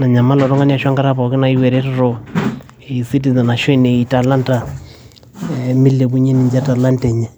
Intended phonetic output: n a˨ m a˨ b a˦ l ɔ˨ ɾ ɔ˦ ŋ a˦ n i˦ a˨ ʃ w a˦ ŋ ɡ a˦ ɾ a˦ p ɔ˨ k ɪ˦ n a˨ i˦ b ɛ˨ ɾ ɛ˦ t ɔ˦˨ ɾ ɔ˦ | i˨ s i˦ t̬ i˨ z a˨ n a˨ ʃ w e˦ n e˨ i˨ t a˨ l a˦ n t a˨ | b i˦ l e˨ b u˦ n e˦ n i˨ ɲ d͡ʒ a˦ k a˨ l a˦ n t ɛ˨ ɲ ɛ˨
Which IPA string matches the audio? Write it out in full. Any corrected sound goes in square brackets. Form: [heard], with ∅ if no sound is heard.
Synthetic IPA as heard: n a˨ [ɲ] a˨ [m] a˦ l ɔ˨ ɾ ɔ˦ ŋ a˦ n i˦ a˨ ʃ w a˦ ŋ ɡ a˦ ɾ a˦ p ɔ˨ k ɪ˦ n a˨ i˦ [w] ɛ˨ ɾ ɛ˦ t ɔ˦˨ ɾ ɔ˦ | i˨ s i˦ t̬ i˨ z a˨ n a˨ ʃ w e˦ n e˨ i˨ t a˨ l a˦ n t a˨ | [m] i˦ l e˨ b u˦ [ɲ] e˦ n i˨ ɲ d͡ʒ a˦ [t] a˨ l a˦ n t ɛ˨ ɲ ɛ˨